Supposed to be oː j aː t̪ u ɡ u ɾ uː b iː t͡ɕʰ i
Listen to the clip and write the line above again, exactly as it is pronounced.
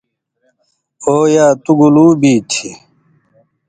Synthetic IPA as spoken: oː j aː t̪ u ɡ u l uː b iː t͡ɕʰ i